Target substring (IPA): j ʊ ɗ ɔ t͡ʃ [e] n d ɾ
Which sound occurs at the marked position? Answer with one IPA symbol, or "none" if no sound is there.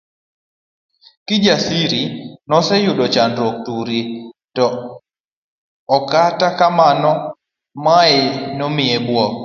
a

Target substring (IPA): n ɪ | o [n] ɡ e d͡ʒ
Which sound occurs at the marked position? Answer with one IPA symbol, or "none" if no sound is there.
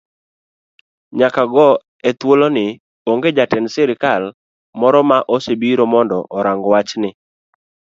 ŋ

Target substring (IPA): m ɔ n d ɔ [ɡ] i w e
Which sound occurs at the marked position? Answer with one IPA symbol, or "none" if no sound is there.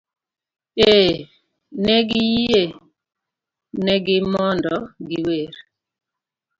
ɡ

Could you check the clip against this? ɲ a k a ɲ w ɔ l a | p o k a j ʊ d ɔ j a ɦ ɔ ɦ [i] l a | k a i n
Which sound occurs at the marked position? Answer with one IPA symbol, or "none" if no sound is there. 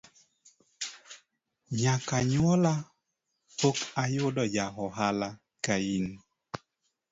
a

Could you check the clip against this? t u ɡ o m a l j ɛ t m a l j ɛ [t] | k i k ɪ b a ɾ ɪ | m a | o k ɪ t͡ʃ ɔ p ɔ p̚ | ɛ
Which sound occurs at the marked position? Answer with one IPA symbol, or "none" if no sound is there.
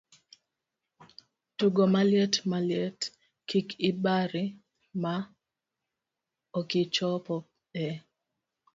t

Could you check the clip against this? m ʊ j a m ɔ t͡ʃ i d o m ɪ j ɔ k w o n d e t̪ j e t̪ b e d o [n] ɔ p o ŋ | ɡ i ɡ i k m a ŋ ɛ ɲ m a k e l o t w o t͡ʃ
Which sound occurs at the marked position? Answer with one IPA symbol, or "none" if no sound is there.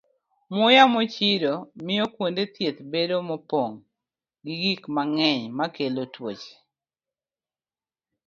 m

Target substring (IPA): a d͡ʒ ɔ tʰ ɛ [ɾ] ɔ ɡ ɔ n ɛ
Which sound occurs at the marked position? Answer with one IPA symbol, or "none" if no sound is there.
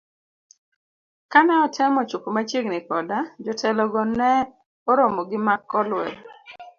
l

